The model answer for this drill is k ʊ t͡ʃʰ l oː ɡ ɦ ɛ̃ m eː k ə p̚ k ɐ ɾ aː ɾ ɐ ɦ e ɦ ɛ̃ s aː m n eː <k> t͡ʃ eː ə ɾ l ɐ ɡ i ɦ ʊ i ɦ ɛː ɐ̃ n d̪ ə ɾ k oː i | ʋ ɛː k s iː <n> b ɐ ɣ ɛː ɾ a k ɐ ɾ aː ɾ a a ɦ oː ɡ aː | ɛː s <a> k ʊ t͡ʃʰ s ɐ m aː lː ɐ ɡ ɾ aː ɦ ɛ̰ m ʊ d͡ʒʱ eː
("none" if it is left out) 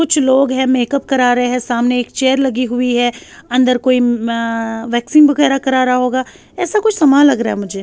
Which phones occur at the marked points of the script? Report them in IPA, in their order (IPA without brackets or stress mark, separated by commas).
k, n, a